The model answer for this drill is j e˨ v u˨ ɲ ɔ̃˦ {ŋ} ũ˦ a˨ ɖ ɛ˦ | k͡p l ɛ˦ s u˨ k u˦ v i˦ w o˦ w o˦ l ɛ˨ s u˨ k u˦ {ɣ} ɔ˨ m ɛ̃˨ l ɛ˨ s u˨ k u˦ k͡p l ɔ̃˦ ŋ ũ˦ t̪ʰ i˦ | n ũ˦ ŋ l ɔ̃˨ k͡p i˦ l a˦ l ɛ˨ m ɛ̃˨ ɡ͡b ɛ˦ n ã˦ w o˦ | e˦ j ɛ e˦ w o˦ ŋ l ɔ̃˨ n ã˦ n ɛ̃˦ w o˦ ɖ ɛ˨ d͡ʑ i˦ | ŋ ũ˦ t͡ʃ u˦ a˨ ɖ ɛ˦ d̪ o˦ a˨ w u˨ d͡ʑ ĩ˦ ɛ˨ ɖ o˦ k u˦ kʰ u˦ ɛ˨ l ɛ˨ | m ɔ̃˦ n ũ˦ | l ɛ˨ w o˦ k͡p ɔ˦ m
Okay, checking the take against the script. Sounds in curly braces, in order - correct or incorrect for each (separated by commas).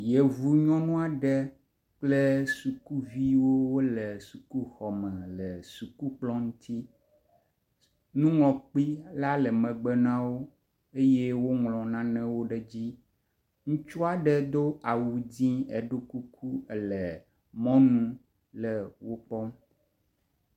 incorrect, incorrect